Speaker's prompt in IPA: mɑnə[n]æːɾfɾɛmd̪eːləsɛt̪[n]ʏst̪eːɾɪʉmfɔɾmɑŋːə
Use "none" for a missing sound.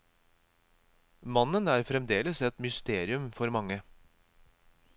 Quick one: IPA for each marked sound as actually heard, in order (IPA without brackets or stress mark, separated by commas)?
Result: n, m